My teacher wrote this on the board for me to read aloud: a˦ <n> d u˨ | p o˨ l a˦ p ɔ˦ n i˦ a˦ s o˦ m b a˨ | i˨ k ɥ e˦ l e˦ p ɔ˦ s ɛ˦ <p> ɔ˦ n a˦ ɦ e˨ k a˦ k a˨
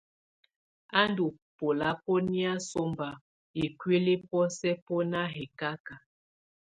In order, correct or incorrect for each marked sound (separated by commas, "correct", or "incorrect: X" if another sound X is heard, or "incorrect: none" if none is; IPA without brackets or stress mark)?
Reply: correct, correct